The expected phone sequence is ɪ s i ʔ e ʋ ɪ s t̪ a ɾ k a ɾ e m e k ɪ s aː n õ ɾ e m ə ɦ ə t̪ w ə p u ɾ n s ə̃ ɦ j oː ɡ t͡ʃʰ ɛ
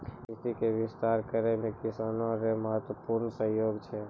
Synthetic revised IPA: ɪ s i k e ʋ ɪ s t̪ a ɾ k ə ɾ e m e k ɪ s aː n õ ɾ e m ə ɦ ə t̪ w ə p u ɾ n s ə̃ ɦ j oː ɡ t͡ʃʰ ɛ